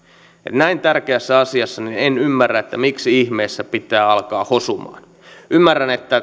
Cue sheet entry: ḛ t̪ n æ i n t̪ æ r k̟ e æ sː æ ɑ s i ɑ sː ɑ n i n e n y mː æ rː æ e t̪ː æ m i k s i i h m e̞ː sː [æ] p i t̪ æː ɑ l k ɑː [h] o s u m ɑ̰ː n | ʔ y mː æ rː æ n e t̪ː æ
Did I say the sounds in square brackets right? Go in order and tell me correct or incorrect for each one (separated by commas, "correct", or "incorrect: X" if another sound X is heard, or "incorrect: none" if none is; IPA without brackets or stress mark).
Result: correct, correct